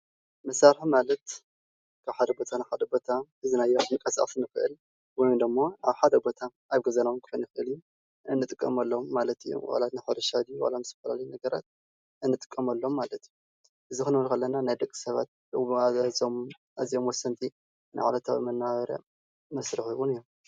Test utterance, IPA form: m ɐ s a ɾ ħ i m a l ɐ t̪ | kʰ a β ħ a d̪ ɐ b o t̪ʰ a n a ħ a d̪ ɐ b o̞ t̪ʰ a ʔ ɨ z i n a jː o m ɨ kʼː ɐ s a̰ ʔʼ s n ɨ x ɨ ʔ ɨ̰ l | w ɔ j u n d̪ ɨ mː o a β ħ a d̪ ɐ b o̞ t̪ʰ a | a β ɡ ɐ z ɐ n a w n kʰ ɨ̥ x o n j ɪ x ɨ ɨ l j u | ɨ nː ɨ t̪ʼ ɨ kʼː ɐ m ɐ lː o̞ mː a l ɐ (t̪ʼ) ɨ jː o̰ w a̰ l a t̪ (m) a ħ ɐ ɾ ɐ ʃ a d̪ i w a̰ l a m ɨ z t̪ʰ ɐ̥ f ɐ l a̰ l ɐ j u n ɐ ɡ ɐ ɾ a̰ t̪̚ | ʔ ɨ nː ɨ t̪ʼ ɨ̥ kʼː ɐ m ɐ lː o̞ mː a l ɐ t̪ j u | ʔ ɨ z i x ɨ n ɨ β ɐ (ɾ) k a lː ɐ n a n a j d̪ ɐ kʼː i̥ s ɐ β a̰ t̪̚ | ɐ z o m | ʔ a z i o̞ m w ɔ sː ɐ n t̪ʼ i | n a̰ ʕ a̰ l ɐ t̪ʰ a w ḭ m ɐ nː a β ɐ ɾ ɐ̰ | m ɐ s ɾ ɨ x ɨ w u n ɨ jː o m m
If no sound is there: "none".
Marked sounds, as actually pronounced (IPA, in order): t̪, n, l

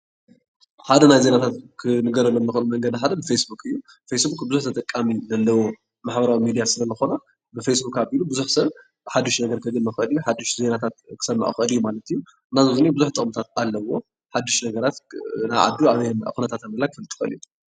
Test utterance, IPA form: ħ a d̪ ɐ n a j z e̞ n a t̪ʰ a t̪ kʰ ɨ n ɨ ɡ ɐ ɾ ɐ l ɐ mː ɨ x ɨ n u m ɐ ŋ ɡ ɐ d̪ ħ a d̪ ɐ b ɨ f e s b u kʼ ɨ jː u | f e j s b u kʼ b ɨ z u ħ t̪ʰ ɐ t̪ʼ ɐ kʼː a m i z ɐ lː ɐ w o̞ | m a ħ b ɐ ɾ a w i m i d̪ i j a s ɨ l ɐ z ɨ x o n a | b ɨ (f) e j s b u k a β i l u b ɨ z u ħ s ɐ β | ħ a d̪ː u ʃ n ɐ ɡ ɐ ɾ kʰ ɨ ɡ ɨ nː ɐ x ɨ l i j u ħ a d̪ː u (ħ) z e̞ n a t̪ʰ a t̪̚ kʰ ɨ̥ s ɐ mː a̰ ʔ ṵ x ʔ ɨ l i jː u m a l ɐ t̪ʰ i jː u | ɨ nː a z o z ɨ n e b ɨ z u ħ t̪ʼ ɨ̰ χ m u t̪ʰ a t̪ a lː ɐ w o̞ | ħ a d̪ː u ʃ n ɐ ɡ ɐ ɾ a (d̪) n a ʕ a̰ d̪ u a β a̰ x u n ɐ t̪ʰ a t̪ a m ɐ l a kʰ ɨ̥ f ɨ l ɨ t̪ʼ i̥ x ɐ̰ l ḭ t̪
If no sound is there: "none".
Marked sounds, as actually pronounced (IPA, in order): f, ʃ, t̪

